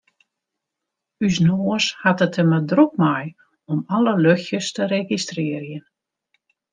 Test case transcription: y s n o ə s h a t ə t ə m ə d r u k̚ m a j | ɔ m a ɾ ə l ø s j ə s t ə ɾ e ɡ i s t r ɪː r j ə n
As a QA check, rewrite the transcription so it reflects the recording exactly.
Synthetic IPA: y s n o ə s h a t ə t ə m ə d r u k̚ m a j | ɔ m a l ə l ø x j ə s t ə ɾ e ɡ i s t r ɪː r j ə n